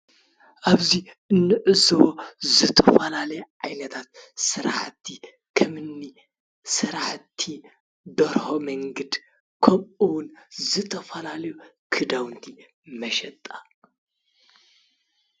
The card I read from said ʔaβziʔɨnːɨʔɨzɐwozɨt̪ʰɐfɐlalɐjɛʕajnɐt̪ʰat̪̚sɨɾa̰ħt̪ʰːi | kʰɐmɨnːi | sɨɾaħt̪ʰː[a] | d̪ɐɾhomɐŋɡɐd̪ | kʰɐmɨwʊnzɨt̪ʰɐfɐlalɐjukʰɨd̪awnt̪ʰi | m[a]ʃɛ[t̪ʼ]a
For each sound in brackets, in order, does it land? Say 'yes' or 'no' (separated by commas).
no, no, yes